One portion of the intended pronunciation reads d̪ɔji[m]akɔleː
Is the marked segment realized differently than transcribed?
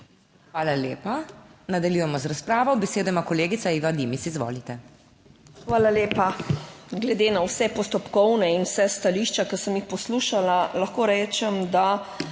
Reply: no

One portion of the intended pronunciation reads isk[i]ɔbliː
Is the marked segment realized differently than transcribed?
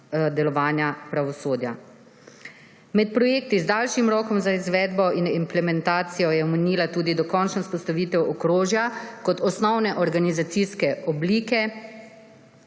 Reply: yes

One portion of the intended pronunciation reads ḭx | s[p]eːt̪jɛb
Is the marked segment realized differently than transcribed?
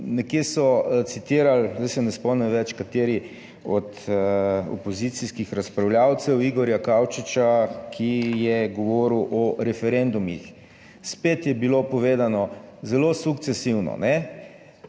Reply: no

